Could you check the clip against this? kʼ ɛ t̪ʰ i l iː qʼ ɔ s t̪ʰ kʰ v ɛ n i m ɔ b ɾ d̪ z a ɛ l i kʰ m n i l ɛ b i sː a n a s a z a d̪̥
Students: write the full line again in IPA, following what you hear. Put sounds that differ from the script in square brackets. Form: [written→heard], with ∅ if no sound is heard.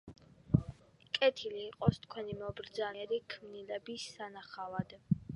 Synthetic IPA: kʼ ɛ t̪ʰ i l iː qʼ ɔ s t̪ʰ kʰ [v→w] ɛ n i m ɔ b ɾ d̪ z a ɛ [l→ɾ] i kʰ m n i l ɛ b i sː a n a [s→χ] a [z→v] a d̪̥